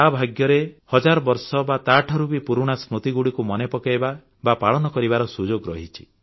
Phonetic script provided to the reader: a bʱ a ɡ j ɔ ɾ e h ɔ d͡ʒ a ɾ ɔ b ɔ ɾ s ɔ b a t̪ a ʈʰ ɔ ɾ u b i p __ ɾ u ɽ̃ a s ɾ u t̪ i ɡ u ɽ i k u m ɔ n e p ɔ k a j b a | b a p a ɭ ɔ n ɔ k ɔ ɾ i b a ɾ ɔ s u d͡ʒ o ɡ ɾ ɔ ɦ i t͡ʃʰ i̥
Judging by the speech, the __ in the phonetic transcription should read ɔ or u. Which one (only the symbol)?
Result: u